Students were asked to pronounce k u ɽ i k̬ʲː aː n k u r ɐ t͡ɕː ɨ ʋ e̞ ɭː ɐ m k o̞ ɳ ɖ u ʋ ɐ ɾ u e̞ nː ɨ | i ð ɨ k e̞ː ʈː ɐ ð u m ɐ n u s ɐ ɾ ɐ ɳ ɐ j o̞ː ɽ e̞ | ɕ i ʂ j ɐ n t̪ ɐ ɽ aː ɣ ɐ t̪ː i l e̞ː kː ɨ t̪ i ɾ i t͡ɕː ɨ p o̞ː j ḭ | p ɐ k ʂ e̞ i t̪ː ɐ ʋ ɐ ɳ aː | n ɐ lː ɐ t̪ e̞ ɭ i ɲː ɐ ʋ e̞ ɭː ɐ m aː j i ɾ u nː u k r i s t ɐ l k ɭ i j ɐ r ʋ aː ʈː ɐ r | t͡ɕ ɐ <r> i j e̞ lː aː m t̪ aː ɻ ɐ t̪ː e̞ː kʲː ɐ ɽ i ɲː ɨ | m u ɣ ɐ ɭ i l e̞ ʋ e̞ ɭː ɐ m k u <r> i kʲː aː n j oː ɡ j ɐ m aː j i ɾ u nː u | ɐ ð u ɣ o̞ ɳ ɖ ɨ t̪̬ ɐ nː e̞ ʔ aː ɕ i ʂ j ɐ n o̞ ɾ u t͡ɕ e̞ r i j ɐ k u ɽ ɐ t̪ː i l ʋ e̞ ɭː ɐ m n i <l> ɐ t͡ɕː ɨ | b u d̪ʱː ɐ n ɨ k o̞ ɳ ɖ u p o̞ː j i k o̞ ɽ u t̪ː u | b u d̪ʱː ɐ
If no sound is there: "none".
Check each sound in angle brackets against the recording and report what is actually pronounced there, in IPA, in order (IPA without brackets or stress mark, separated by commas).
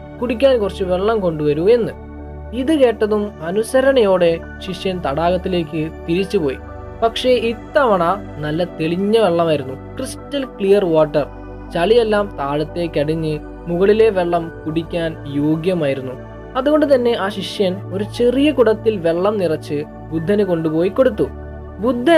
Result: ɭ, ɽ, r